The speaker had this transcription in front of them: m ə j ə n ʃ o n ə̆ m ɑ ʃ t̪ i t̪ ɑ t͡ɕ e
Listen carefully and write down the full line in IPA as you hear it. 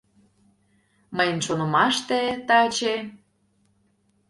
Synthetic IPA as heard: m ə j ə n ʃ o n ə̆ m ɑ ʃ t̪ e t̪ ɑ t͡ɕ e